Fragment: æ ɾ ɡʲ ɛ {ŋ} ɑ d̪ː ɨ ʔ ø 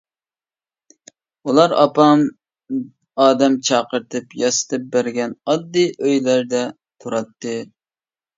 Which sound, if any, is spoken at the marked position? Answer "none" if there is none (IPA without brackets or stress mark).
n